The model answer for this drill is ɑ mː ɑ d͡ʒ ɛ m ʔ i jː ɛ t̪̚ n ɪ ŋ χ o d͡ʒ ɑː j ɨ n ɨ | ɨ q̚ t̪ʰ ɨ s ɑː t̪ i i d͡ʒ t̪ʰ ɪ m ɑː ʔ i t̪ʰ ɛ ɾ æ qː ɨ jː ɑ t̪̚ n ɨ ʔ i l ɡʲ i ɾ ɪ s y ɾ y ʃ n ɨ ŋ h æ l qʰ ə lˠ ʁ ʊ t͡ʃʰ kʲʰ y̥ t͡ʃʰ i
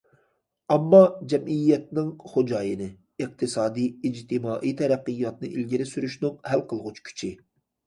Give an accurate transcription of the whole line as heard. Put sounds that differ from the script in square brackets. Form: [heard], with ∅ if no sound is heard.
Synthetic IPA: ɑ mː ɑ d͡ʒ ɛ m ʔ i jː ɛ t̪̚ n ɪ ŋ χ o d͡ʒ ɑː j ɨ n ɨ | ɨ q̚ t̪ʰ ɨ s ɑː [d̪] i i d͡ʒ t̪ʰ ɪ m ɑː ʔ i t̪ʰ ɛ ɾ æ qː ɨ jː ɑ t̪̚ n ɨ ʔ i l ɡʲ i ɾ ɪ s y ɾ y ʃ n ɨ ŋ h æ l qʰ ə lˠ ʁ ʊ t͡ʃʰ kʲʰ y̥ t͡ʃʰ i